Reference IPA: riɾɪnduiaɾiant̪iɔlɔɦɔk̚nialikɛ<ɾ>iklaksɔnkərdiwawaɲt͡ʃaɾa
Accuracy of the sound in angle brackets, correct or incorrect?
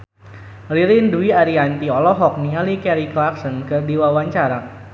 correct